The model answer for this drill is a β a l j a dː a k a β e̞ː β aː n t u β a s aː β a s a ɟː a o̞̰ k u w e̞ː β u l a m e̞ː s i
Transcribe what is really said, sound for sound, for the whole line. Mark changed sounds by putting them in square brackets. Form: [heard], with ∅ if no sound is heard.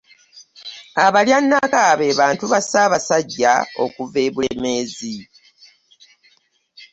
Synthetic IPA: a β a l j a [nː] a k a β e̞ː β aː n t u β a s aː β a s a ɟː a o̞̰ k u [v] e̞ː β u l [e] m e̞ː [z] i